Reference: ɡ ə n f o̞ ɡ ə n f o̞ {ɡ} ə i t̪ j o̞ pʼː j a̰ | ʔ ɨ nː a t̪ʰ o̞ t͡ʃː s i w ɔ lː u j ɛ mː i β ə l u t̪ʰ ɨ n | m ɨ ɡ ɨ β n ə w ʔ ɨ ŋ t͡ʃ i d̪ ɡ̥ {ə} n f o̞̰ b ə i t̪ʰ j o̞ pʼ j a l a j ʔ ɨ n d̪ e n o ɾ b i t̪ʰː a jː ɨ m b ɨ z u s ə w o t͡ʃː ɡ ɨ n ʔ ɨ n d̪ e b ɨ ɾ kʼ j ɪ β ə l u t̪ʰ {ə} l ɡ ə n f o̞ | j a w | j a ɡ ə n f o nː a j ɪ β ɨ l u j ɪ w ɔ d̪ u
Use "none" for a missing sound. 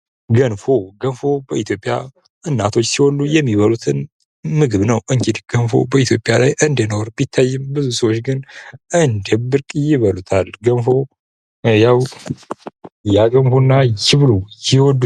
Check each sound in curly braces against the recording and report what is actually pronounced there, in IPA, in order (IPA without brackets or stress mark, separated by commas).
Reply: b, ə, a